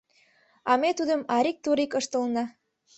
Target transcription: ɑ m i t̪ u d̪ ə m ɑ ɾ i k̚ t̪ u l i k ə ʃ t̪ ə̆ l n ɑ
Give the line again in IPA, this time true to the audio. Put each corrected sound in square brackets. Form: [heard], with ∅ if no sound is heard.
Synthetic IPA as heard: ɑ m [e] t̪ u d̪ ə m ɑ ɾ i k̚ t̪ u [ɾ] i k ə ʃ t̪ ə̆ l n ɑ

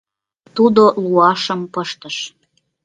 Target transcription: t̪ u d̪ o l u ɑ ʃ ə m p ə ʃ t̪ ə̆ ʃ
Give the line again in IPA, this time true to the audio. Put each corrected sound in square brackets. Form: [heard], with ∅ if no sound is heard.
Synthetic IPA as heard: t̪ u d̪ o l u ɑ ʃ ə m p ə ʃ t̪ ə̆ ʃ

